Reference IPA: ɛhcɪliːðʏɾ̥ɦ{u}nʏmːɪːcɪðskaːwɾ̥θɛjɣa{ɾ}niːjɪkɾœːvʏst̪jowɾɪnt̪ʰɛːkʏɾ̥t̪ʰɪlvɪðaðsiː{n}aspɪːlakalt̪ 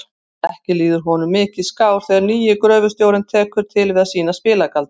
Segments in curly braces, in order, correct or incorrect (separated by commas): incorrect, correct, correct